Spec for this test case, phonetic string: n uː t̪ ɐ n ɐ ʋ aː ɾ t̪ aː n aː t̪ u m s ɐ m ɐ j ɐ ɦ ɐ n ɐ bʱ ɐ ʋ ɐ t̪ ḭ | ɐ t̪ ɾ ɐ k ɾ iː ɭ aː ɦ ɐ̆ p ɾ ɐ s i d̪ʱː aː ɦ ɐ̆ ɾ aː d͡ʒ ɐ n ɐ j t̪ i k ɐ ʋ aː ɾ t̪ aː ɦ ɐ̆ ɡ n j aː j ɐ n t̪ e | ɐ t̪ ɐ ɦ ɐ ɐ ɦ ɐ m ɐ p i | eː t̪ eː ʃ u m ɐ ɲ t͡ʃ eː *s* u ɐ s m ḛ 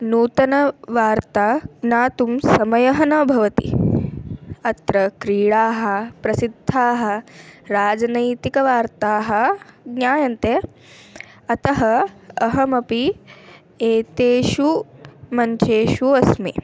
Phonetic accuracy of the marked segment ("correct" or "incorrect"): incorrect